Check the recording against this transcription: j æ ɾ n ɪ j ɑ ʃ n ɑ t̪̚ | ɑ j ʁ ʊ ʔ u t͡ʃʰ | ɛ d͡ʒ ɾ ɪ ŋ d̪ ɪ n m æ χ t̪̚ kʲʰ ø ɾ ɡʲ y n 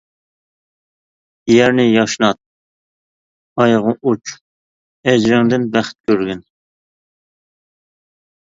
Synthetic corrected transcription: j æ ɾ n ɪ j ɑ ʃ n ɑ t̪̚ | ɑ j ʁ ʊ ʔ u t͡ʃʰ | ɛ d͡ʒ ɾ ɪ ŋ d̪ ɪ n b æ χ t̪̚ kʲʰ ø ɾ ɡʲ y n

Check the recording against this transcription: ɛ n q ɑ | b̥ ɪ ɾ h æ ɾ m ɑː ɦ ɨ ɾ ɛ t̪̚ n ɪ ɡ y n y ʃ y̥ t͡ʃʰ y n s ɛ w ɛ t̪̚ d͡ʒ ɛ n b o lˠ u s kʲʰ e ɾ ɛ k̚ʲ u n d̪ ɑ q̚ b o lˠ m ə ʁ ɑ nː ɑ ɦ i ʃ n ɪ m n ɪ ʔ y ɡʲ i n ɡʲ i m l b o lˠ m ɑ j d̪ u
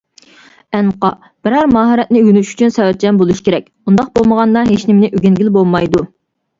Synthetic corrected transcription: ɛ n q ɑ | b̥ ɪ ɾ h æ ɾ m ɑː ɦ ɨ ɾ ɛ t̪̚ n ɪ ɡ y n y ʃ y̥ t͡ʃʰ y n s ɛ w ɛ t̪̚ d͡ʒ ɛ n b o lˠ u ʃ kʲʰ e ɾ ɛ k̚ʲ u n d̪ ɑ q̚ b o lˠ m ə ʁ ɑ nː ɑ ɦ e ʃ n ɪ m n ɪ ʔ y ɡʲ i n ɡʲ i l b o lˠ m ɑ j d̪ u

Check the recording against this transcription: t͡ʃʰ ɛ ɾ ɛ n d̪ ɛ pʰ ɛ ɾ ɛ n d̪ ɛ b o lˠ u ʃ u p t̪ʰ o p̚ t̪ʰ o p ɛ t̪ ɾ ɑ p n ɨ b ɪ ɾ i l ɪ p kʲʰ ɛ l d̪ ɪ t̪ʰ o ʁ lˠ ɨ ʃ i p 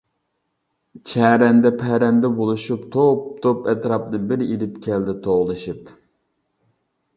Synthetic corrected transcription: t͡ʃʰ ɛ ɾ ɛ n d̪ ɛ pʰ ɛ ɾ ɛ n d̪ ɛ b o lˠ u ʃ u p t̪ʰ o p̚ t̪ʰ o p ɛ t̪ ɾ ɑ p n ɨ b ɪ ɾ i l ɪ p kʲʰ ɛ l d̪ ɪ t̪ʰ o ʁ lˠ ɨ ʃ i p

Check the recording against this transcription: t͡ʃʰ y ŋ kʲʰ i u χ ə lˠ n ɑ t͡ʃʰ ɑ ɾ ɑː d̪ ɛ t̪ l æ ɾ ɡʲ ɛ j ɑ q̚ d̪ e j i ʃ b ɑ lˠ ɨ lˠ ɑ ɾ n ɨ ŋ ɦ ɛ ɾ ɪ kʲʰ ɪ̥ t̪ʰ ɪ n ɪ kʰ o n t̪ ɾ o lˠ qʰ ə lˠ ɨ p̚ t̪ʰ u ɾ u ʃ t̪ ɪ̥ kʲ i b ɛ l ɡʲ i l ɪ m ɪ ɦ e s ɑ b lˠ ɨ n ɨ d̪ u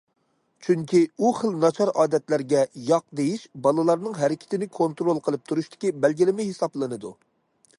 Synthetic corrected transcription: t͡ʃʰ y ŋ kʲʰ i u χ ə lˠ n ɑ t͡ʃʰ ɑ ɾ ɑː d̪ ɛ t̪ l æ ɾ ɡʲ ɛ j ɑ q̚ d̪ e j i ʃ b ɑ lˠ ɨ lˠ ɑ ɾ n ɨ ŋ ɦ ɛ ɾ ɪ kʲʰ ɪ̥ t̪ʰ ɪ n ɪ kʰ o n t̪ ɾ o lˠ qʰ ə lˠ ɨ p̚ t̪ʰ u ɾ u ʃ t̪ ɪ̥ kʲ i b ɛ l ɡʲ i l ɪ m ɪ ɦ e s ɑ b lˠ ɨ n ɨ d̪ u

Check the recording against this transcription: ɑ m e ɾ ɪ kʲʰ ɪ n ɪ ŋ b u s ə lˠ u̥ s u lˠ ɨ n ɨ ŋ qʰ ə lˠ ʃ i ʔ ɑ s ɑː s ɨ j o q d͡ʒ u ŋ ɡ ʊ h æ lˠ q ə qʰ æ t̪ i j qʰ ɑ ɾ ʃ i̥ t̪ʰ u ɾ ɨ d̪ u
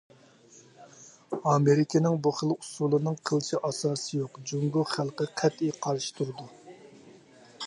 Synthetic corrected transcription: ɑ m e ɾ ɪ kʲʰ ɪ n ɪ ŋ b u χ ə lˠ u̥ s u lˠ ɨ n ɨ ŋ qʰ ə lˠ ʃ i ʔ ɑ s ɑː s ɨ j o q d͡ʒ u ŋ ɡ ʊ χ æ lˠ q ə qʰ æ t̪ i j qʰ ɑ ɾ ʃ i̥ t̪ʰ u ɾ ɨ d̪ u

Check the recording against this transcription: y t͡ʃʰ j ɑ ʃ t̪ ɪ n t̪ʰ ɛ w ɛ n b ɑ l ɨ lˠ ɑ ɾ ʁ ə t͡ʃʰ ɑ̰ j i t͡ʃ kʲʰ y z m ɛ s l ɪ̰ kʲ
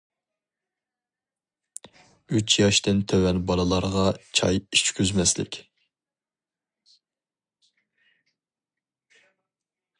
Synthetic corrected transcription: y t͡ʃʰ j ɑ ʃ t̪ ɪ n t̪ʰ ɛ w ɛ n b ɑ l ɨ lˠ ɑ ɾ ʁ ɑ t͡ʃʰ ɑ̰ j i t͡ʃ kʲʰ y z m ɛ s l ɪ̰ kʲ

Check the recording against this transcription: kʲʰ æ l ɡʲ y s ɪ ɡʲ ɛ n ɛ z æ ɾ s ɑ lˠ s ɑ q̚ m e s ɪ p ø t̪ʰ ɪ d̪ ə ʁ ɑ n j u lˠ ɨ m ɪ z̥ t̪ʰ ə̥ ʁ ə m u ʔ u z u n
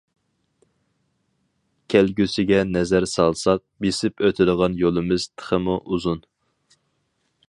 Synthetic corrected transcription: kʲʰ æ l ɡʲ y s ɪ ɡʲ ɛ n ɛ z æ ɾ s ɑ lˠ s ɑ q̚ b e s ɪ p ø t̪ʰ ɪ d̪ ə ʁ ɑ n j o lˠ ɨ m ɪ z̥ t̪ʰ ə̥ χ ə m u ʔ u z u n

